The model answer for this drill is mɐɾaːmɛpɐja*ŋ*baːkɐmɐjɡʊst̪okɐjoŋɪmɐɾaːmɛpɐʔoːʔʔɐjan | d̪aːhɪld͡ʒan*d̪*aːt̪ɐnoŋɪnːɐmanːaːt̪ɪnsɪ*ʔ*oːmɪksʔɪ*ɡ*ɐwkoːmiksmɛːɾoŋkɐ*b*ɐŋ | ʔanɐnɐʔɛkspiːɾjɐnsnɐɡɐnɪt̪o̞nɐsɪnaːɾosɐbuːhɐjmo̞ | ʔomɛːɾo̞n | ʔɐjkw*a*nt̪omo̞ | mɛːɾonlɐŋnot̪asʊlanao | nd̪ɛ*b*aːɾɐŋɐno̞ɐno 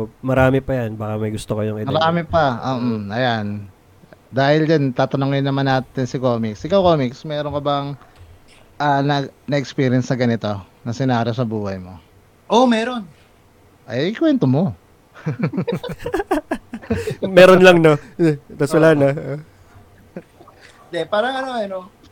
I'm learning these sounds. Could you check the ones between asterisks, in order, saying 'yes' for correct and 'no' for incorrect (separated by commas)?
no, no, no, no, yes, no, no